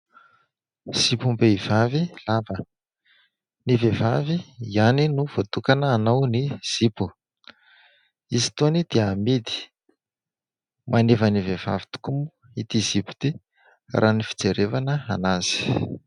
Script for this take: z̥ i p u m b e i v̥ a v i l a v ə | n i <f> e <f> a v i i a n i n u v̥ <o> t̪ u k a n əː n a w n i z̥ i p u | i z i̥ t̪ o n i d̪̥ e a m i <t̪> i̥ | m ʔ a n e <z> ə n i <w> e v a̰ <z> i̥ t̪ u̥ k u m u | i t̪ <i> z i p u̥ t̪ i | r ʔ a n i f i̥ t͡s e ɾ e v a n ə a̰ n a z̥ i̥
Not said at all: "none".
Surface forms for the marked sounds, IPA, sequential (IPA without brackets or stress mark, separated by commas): v, v, o, d̪, v, v, v, i